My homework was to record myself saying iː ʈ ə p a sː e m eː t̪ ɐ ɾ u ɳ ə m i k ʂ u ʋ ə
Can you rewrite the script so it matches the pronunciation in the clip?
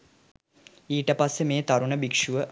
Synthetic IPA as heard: iː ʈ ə p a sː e m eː t̪ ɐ ɾ u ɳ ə b i k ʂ u ʋ ə

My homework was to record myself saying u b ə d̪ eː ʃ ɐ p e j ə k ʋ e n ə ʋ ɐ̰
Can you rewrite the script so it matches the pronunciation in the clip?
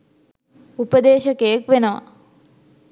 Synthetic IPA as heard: u p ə d̪ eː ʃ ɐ k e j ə k ʋ e n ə ʋ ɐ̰

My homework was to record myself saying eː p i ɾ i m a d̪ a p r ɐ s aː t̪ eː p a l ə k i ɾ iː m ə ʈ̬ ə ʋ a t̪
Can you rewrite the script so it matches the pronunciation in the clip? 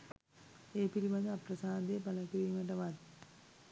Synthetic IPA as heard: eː p i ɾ i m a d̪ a p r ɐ s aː d̪ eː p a l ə k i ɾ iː m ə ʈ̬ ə ʋ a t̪

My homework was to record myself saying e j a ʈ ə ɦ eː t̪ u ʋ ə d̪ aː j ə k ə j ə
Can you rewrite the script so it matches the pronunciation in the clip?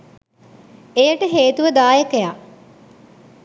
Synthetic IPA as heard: e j ə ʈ ə ɦ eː t̪ u ʋ ə d̪ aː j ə k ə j a

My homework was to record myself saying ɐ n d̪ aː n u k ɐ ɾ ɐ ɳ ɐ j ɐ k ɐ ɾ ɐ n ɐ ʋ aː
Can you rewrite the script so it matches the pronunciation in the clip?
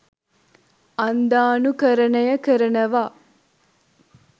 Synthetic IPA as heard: ɐ n d̪ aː n u k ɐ ɾ ɐ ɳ ɐ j ɐ k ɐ ɾ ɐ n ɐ ʋ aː

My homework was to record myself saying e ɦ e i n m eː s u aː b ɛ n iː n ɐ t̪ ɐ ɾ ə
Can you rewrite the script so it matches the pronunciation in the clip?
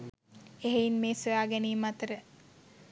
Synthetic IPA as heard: e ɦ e i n m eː s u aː ɡ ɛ n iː m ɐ t̪ ə ɾ ə

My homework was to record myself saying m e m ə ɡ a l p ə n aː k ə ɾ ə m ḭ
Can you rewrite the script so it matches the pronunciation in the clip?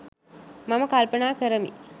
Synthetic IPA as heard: m a m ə k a l p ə n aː k ə ɾ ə m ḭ

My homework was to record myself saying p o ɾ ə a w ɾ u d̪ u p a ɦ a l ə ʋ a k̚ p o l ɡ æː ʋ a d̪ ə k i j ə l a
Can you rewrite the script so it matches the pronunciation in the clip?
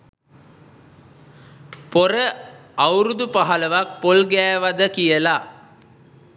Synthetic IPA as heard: p o ɾ ə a w ɾ u d̪ u p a ɦ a l ə ʋ a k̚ p o l ɡ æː ʋ a d̪ ə k i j ə l a

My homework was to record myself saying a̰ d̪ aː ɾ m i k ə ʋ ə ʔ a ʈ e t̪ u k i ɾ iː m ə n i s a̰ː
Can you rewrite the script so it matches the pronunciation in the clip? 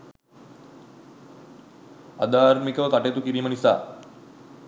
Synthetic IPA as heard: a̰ d̪ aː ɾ m i k ə ʋ ə k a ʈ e t̪ u k i ɾ iː m ə n i s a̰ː

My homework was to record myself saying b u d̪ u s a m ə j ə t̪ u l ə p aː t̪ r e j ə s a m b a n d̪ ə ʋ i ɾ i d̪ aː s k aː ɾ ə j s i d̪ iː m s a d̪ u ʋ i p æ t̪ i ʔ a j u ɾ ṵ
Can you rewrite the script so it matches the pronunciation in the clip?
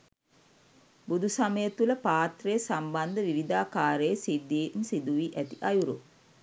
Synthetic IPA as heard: b u d̪ u s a m ə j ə t̪ u l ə p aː t̪ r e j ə s a m b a n d̪ ə ʋ i ɾ i d̪ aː k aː ɾ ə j s i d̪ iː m s i d̪ u ʋ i ʔ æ t̪ i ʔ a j u ɾ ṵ

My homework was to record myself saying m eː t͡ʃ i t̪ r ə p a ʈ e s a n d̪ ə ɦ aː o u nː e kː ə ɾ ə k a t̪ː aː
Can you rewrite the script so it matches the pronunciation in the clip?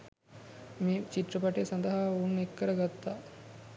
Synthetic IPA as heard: m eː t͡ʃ i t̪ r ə p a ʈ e s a n d̪ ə ɦ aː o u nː e kː ə ɾ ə ɡ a t̪ː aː

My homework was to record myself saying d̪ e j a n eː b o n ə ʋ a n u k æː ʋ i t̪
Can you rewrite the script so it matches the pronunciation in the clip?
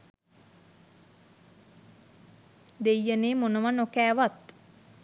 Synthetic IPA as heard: d̪ e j ə n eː m o n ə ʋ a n o k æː ʋ a t̪

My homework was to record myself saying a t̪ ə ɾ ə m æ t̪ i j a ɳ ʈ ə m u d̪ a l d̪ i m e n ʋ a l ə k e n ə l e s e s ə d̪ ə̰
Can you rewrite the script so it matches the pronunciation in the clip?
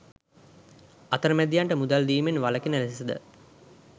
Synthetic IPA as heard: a t̪ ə ɾ ə m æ d̪ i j a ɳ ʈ ə m u d̪ a l d̪ iː m e n ʋ a l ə k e n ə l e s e s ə d̪ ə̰

